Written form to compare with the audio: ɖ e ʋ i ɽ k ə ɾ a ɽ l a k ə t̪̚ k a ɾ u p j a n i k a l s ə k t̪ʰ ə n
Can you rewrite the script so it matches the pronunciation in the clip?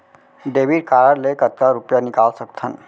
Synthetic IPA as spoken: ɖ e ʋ i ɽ k a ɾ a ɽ l e k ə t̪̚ k a ɾ u p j a n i k a l s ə k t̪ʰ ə n